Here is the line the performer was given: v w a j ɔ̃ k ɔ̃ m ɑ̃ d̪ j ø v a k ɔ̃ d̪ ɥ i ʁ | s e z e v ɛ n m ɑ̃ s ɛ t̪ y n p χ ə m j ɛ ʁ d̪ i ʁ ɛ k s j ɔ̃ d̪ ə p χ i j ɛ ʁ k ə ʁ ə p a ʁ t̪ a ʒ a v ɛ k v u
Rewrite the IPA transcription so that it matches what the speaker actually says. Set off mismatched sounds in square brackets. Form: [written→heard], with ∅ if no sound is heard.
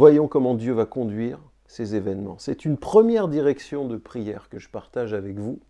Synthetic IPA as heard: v w a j ɔ̃ k [ɔ̃→ɔ] m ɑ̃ d̪ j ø v a k ɔ̃ d̪ ɥ i ʁ | s e z e v ɛ n m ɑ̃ s ɛ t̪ y n p χ ə m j ɛ ʁ d̪ i ʁ ɛ k s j ɔ̃ d̪ ə p χ i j ɛ ʁ k ə [ʁ→ʒ] ə p a ʁ t̪ a ʒ a v ɛ k v u

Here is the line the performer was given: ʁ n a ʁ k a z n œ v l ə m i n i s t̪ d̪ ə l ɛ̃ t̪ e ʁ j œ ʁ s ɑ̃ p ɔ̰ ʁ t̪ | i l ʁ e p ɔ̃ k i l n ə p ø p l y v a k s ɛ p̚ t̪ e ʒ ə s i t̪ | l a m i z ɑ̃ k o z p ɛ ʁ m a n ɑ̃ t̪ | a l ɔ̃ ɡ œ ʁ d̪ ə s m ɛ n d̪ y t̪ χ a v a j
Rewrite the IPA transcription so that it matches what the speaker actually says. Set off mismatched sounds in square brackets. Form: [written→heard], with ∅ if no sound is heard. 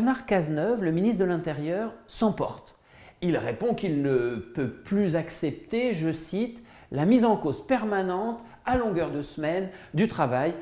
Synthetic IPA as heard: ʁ n a ʁ k a z n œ v l ə m i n i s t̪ d̪ ə l ɛ̃ t̪ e ʁ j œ ʁ s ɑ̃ p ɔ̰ ʁ t̪ | i l ʁ e p ɔ̃ k i l n ə p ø p l y [v→z] a k s ɛ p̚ t̪ e ʒ ə s i t̪ | l a m i z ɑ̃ k o z p ɛ ʁ m a n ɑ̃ t̪ | a l ɔ̃ ɡ œ ʁ d̪ ə s m ɛ n d̪ y t̪ χ a v a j

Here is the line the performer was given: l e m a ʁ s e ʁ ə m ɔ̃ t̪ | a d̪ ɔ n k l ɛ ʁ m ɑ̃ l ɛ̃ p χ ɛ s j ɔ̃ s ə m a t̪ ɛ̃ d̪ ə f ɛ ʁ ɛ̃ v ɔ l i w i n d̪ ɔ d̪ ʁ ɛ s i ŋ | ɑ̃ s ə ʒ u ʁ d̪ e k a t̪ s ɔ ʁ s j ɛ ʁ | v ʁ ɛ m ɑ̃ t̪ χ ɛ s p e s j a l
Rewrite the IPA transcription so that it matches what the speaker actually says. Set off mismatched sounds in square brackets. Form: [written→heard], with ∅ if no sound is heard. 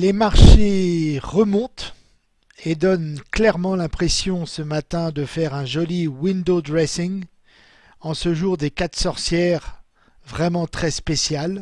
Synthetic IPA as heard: l e m a ʁ [s→ʃ] e ʁ ə m ɔ̃ t̪ | [a→e] d̪ ɔ n k l ɛ ʁ m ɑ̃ l ɛ̃ p χ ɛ s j ɔ̃ s ə m a t̪ ɛ̃ d̪ ə f ɛ ʁ ɛ̃ [v→ʒ] ɔ l i w i n d̪ [ɔ→o] d̪ ʁ ɛ s i ŋ | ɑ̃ s ə ʒ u ʁ d̪ e k a t̪ s ɔ ʁ s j ɛ ʁ | v ʁ ɛ m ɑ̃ t̪ χ ɛ s p e s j a l

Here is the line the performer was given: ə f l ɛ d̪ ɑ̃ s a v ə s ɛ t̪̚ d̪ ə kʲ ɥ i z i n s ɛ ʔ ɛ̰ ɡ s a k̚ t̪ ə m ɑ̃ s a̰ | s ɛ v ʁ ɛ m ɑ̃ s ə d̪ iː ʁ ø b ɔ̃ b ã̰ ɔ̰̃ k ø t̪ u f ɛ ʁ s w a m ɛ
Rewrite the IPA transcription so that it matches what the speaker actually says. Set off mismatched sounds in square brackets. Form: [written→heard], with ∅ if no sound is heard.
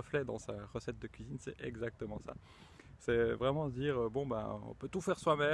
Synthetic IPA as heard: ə f l ɛ d̪ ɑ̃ s a [v→ʁ] ə s ɛ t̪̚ d̪ ə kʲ ɥ i z i n s ɛ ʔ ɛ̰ ɡ [s→z] a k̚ t̪ ə m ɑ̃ s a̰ | s ɛ v ʁ ɛ m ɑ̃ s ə d̪ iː ʁ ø b ɔ̃ b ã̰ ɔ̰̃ [k→p] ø t̪ u f ɛ ʁ s w a m ɛ

